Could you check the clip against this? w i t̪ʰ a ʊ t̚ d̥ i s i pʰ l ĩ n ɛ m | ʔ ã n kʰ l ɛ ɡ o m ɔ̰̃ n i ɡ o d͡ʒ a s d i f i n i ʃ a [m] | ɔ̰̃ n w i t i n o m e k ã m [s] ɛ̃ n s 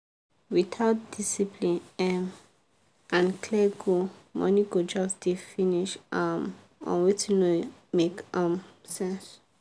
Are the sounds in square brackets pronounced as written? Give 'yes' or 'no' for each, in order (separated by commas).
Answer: yes, yes